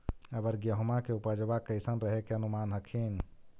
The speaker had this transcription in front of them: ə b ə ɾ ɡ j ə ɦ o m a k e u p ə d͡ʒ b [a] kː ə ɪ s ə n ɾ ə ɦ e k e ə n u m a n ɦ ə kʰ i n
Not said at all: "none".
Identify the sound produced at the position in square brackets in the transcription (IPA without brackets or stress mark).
a